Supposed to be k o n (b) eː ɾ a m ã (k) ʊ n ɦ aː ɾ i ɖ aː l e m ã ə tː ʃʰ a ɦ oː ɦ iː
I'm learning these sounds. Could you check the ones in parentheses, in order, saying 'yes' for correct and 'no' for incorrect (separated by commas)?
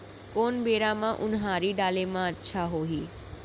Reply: yes, no